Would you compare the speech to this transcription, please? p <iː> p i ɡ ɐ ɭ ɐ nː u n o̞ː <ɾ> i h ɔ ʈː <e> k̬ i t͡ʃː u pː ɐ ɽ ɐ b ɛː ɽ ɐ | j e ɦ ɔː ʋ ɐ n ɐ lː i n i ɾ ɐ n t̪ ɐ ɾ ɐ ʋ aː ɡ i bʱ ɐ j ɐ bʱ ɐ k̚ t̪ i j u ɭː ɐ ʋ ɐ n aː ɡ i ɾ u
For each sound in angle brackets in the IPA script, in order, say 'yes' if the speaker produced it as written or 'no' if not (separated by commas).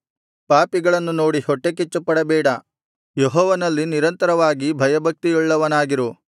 no, no, yes